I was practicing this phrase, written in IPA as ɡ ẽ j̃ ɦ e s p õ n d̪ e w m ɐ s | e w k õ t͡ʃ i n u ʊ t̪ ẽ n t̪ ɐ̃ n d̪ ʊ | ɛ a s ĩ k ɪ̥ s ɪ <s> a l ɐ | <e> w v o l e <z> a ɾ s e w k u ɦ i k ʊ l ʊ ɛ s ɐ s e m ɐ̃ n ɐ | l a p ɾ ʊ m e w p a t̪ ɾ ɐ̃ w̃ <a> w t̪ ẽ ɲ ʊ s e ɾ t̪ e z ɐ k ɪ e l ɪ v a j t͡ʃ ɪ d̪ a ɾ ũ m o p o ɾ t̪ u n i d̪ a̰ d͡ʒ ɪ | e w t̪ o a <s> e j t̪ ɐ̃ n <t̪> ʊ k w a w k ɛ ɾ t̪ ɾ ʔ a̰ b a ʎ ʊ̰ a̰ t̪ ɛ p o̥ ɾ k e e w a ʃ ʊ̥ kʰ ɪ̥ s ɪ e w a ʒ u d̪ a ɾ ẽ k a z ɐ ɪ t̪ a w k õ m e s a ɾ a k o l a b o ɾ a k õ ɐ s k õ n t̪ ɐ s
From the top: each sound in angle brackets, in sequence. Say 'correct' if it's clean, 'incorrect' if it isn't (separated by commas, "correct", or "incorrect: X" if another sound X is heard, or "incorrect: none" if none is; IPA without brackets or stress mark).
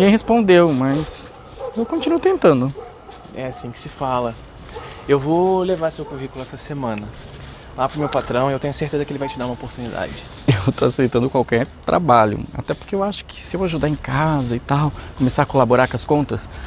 incorrect: f, correct, incorrect: v, incorrect: e, correct, incorrect: d̪